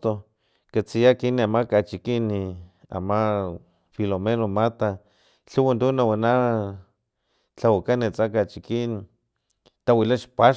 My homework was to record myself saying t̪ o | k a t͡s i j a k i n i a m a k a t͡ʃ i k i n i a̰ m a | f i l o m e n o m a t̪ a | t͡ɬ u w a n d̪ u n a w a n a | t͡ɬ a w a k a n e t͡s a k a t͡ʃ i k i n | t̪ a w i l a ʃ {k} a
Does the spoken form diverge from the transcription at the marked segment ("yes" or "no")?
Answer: yes